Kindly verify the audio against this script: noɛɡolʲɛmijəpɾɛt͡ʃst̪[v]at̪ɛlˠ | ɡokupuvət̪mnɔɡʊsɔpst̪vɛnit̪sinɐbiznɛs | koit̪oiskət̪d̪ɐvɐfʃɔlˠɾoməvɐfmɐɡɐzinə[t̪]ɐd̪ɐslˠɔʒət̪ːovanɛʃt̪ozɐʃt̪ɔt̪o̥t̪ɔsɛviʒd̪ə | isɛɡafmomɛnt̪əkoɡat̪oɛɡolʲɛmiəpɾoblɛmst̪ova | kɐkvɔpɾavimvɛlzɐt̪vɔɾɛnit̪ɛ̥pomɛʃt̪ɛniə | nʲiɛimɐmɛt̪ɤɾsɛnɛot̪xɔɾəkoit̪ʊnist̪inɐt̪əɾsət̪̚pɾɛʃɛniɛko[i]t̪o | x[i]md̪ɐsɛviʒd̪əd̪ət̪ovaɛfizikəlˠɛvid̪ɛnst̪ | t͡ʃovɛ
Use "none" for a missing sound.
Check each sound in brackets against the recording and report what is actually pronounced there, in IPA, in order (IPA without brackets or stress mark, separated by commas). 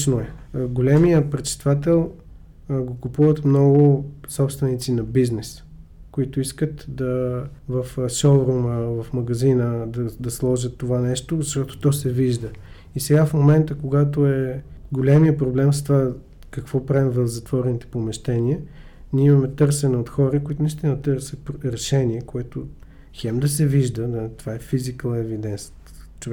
v, d̪, ɛ, ɛ